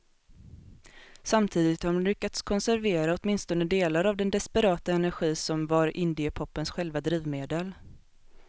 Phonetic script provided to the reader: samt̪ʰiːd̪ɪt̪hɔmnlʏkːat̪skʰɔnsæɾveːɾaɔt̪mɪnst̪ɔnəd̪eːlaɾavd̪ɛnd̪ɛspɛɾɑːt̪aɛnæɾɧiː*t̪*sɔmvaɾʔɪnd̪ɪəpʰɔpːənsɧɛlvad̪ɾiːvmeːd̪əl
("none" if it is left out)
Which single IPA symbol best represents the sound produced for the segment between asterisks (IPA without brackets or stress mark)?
none